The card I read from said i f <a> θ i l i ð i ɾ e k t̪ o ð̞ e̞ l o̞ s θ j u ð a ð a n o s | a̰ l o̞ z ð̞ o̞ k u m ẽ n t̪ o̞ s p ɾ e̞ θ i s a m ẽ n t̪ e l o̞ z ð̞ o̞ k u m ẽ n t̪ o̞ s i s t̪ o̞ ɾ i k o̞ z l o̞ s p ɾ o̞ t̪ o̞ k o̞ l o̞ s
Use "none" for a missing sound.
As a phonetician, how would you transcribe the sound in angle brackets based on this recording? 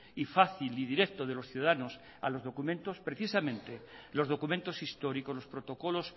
a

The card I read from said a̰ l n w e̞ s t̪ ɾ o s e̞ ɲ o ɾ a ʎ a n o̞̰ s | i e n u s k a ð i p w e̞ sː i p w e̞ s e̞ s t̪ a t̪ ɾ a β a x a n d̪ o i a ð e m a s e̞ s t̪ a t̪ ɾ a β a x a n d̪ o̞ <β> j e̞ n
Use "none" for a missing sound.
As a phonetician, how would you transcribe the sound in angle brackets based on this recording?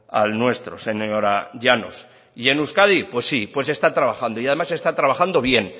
β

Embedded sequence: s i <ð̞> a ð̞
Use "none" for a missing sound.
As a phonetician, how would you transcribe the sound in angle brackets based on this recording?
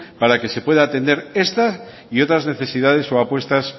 ð̞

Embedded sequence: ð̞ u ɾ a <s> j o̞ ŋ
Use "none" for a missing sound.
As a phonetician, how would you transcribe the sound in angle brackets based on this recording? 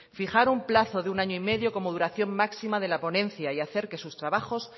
θ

